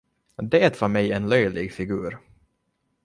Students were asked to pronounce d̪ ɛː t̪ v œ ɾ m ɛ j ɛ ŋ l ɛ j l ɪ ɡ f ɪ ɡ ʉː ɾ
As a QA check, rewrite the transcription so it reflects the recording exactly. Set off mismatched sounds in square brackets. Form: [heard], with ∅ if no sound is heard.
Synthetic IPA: d̪ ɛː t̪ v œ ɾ m ɛ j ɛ [n] l [œ] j l ɪ ɡ f ɪ ɡ ʉː ɾ